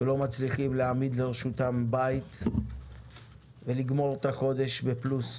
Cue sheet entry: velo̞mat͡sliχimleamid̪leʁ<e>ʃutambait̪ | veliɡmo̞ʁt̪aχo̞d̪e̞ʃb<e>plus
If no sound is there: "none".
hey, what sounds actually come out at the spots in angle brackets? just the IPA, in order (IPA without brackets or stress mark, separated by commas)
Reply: e, e